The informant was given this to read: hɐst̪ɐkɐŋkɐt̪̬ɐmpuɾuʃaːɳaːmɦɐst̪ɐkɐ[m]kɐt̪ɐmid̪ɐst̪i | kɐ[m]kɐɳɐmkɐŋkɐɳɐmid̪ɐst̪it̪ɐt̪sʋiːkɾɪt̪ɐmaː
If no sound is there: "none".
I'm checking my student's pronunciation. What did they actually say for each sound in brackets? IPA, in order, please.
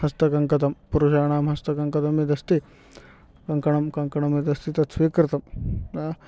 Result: ŋ, ŋ

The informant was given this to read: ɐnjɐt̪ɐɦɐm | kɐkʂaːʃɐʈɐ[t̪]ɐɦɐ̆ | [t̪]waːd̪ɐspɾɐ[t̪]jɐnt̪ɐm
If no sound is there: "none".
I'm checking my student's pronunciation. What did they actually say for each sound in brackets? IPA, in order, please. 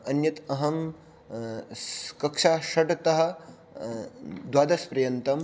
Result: t̪, d̪, none

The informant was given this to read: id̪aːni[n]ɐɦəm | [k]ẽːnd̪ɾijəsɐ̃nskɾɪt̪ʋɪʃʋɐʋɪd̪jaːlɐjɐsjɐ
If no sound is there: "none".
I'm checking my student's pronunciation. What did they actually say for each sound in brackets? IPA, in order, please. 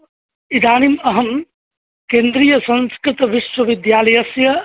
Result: m, k

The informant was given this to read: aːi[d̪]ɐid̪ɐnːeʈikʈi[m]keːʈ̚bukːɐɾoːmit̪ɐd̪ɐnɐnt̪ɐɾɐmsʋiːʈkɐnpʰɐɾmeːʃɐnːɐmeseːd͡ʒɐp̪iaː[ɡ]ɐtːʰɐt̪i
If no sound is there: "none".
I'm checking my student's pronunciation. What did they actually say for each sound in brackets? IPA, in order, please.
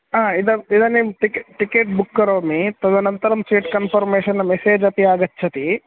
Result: d̪, none, ɡ

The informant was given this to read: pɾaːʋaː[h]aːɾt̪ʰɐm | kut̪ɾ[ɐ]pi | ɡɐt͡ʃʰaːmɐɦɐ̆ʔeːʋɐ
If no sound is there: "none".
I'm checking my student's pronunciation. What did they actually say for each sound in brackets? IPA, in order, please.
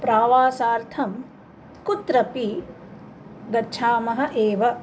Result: s, ɐ

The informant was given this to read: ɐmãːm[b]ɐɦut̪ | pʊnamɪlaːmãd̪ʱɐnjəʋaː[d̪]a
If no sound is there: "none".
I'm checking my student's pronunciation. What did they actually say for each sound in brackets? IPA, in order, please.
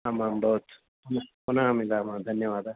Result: b, d̪

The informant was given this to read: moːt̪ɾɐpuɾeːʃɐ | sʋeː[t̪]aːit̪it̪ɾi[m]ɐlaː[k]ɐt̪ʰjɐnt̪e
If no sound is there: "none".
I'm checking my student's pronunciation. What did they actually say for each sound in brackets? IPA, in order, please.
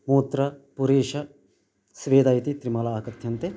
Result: d̪, m, k

